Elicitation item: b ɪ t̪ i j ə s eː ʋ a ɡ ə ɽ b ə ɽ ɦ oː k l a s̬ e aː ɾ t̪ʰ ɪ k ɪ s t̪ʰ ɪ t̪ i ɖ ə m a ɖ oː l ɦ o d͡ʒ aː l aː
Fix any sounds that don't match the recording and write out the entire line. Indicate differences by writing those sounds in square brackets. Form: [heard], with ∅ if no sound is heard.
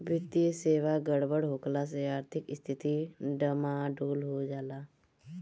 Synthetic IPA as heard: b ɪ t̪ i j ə s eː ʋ a ɡ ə ɽ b ə ɽ ɦ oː k l a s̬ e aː ɾ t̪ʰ ɪ k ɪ s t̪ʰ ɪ t̪ i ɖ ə m a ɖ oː l ɦ o d͡ʒ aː l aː